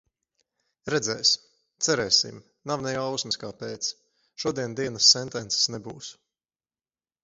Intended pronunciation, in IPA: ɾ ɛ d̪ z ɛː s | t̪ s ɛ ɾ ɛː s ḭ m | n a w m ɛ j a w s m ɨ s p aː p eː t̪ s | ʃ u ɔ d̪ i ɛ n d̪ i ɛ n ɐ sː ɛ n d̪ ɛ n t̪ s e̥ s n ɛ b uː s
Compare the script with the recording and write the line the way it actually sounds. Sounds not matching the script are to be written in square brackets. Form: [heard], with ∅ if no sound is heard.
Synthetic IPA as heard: ɾ ɛ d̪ z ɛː s | t̪ s ɛ ɾ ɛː s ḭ m | n a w [n] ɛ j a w s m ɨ s [k] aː p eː t̪ s | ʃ u ɔ d̪ i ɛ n d̪ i ɛ n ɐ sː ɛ n [t̪] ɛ n t̪ s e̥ s n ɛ b uː s